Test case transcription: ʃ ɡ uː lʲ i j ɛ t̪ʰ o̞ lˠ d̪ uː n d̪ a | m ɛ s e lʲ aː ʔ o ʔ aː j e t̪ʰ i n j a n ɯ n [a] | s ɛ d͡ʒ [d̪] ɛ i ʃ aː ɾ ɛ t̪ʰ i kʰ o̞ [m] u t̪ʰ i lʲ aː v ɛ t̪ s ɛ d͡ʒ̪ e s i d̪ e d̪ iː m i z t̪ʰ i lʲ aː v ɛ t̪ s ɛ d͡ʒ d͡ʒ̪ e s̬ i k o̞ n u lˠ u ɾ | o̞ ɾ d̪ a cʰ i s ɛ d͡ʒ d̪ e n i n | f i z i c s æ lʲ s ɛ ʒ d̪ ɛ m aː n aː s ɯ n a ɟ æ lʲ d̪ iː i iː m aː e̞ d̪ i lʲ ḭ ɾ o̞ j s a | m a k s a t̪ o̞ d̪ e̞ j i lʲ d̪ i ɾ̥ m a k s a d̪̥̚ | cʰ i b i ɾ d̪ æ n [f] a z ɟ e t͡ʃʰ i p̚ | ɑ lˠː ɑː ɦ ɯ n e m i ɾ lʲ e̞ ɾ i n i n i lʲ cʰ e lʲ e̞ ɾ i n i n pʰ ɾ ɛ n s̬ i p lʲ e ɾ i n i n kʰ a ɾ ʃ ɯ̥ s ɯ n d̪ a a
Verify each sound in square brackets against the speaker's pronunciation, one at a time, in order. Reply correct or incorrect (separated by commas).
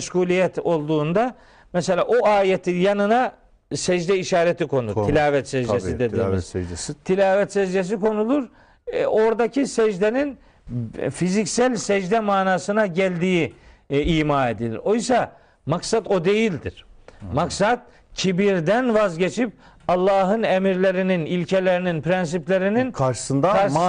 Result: correct, correct, incorrect, incorrect